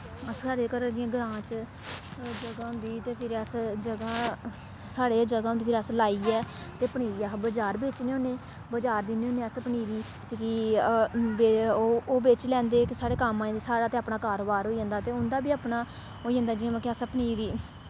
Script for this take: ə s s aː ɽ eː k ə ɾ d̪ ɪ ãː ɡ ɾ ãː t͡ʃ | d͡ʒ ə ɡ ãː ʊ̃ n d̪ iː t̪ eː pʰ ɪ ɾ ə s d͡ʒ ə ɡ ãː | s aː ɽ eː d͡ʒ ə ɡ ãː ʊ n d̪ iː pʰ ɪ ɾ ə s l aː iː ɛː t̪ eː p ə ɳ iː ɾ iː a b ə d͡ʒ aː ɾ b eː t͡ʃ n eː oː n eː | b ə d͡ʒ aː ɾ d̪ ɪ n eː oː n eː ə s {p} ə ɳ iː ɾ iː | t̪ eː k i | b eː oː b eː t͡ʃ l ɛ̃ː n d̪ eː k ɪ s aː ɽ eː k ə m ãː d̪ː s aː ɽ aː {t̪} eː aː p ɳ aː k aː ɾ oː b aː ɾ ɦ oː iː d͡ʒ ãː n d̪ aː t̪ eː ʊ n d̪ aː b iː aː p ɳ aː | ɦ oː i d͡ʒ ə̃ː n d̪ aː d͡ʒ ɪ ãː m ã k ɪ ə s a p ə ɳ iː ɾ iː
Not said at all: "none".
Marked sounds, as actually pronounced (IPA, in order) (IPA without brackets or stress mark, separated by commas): p, t̪